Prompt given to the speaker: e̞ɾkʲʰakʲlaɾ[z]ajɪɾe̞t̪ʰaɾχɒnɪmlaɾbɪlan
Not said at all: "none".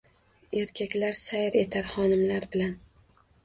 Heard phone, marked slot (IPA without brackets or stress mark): s